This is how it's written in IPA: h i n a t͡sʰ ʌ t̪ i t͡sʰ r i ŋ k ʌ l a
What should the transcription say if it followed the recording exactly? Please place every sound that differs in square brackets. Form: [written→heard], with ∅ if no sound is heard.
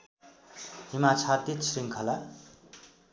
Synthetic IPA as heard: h i [n→m] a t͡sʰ [ʌ→a] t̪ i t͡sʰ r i ŋ [k→kʰ] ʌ l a